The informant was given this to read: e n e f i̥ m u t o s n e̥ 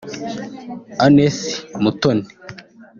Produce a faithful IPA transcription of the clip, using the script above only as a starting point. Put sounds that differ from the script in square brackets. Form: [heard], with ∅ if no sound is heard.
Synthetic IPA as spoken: [a] n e [s] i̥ m u t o [∅] n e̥